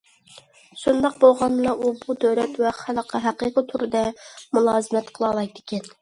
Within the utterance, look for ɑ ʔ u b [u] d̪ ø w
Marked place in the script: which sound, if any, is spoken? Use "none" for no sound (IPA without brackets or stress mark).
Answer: u